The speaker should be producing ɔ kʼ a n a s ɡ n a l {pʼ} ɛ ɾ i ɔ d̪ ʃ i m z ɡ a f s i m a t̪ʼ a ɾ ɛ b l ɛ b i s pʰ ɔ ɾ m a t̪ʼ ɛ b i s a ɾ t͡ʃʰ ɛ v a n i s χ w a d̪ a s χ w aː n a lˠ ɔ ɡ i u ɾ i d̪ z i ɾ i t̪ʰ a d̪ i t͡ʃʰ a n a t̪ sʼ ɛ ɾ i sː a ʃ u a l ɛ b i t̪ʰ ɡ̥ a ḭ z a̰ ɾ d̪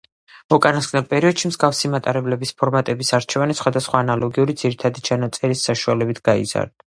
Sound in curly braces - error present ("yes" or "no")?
no